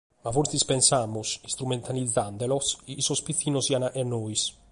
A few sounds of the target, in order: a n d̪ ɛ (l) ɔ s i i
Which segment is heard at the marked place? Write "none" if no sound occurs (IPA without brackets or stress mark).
l